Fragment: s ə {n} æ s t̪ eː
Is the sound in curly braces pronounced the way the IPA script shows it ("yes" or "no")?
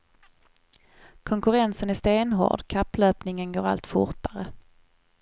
yes